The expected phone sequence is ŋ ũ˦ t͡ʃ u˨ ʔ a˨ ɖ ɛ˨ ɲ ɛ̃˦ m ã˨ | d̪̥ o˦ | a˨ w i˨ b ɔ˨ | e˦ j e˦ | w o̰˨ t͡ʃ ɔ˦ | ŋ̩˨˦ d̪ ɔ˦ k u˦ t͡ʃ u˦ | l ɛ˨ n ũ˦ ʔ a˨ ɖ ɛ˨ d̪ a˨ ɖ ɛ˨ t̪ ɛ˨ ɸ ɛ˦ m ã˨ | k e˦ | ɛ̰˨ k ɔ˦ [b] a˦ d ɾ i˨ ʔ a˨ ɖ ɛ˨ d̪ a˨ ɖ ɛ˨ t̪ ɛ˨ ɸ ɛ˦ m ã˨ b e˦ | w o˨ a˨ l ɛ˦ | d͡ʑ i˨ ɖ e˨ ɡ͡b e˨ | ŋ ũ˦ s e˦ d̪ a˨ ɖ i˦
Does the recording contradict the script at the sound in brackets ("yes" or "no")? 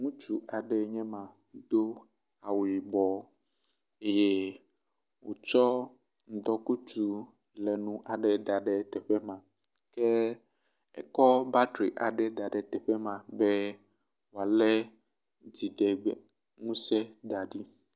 no